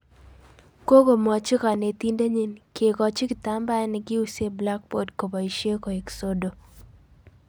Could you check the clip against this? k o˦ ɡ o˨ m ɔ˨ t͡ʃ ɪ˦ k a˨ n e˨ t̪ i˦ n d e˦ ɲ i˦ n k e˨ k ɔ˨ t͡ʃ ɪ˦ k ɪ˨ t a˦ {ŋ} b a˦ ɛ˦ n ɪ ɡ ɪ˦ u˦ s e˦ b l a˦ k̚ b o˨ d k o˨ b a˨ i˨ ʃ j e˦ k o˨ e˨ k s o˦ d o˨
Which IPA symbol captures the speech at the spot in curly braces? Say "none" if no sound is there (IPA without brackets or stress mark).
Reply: m